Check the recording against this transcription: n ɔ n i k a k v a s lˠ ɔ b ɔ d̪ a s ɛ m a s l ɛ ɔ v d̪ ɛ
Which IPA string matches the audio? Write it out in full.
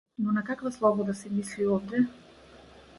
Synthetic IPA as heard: n ɔ n a k a k v a s lˠ ɔ b ɔ d̪ a s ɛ m i s l i ɔ v d̪ ɛ

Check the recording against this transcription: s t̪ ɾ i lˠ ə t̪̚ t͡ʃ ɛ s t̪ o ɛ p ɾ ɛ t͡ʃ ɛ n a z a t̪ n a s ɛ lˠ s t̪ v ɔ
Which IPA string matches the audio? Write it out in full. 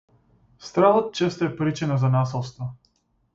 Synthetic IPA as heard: s t̪ ɾ a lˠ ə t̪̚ t͡ʃ ɛ s t̪ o ɛ p ɾ i t͡ʃ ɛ n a z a n a s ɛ lˠ s t̪ v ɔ

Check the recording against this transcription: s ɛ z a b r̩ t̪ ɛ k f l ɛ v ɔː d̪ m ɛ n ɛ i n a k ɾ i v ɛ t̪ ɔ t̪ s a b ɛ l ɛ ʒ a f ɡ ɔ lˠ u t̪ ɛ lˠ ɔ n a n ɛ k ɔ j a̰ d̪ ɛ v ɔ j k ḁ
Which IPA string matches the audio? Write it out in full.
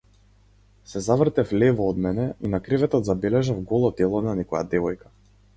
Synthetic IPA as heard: s ɛ z a v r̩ t̪ ɛ f l ɛ v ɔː d̪ m ɛ n ɛ i n a k ɾ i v ɛ t̪ ɔ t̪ z a b ɛ l ɛ ʒ a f ɡ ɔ lˠ ɔ t̪ ɛ lˠ ɔ n a n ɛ k ɔ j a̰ d̪ ɛ v ɔ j k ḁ

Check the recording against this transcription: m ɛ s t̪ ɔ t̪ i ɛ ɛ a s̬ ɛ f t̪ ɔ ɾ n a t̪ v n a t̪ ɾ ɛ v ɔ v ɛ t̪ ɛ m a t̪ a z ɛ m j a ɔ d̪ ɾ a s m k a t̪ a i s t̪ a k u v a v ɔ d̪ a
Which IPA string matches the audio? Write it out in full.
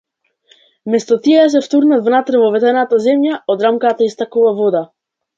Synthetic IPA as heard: m ɛ s t̪ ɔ t̪ i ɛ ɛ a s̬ ɛ f t̪ u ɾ n a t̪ v n a t̪ ɾ ɛ v ɔ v ɛ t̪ ɛ n a t̪ a z ɛ m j a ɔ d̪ ɾ a m k a t̪ a i s t̪ a k u v a v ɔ d̪ a

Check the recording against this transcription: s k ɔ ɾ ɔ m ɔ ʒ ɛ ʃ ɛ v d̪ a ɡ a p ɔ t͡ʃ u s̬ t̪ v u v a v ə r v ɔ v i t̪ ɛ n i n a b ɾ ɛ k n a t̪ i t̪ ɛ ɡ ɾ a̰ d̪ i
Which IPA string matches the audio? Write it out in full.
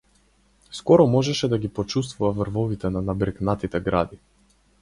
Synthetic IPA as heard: s k ɔ ɾ ɔ m ɔ ʒ ɛ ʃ ɛ d̪ a ɡ i p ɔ t͡ʃ u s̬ t̪ v u v a v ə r v ɔ v i t̪ ɛ n a n a b ɾ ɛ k n a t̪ i t̪ ɛ ɡ ɾ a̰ d̪ i

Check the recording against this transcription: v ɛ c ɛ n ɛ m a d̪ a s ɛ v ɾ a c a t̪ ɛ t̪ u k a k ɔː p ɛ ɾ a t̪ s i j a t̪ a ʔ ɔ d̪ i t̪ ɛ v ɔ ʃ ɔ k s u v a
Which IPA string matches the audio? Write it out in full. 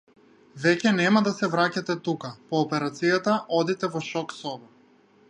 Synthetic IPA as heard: v ɛ c ɛ n ɛ m a d̪ a s ɛ v ɾ a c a t̪ ɛ t̪ u k a p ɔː p ɛ ɾ a t̪ s i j a t̪ a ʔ ɔ d̪ i t̪ ɛ v ɔ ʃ ɔ k s ɔ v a

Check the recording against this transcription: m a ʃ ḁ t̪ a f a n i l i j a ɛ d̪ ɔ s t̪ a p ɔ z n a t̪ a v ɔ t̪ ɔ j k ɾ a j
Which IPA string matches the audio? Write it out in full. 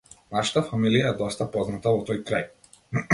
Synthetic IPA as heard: n a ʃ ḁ t̪ a f a m i l i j a ɛ d̪ ɔ s t̪ a p ɔ z n a t̪ a v ɔ t̪ ɔ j k ɾ a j

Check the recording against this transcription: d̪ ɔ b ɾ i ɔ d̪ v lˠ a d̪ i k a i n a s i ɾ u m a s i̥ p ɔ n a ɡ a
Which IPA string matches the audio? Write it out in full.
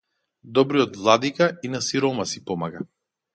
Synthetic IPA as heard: d̪ ɔ b ɾ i ɔ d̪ v lˠ a d̪ i k a i n a s i ɾ ɔ m a s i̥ p ɔ m a ɡ a

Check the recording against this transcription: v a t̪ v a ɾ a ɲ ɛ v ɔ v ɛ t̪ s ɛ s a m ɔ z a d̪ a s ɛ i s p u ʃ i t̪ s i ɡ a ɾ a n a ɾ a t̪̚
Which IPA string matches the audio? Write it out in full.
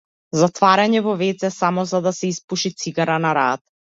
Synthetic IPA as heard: z a t̪ v a ɾ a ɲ ɛ v ɔ v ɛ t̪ s ɛ s a m ɔ z a d̪ a s ɛ i s p u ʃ i t̪ s i ɡ a ɾ a n a ɾ a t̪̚

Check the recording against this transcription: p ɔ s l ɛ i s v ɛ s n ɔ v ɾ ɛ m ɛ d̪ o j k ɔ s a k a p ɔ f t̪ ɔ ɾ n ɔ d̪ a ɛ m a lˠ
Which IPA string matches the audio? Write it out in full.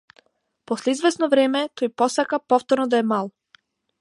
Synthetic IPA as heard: p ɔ s l ɛ i z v ɛ s n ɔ v ɾ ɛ m ɛ t̪ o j p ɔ s a k a p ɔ f t̪ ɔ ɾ n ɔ d̪ a ɛ m a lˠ

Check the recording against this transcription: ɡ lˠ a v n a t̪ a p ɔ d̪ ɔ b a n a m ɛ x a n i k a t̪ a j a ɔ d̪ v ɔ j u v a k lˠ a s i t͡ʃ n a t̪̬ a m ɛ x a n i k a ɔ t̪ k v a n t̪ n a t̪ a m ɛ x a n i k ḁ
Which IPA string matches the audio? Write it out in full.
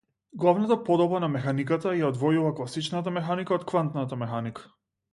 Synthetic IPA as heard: ɡ lˠ a v n a t̪ a p ɔ d̪ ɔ b a n a m ɛ x a n i k a t̪ a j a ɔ d̪ v ɔ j u v a k lˠ a s i t͡ʃ n a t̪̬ a m ɛ x a n i k a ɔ t̪ k v a n t̪ n a t̪ a m ɛ x a n i k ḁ

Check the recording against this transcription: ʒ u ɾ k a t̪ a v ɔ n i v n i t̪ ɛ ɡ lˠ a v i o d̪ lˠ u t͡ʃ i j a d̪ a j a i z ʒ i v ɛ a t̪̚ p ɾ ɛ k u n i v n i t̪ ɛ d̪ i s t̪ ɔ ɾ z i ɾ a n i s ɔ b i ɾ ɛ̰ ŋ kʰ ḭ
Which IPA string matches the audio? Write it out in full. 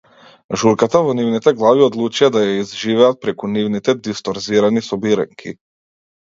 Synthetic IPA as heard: ʒ u ɾ k a t̪ a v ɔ n i v n i t̪ ɛ ɡ lˠ a v i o d̪ lˠ u t͡ʃ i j a d̪ a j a i z ʒ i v ɛ a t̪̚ p ɾ ɛ k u n i v n i t̪ ɛ d̪ i s t̪ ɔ ɾ z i ɾ a n i s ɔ b i ɾ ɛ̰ ŋ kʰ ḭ

